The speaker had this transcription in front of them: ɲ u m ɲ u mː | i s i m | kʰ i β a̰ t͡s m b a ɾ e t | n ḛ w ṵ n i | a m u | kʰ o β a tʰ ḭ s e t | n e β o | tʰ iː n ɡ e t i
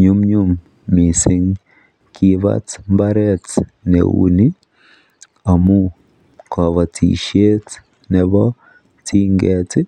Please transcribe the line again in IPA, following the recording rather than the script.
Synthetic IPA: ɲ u m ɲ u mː | i s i ŋ | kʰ i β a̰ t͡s m b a ɾ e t | n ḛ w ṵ n i | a m u | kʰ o β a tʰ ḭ ʃ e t | n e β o | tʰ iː ŋ ɡ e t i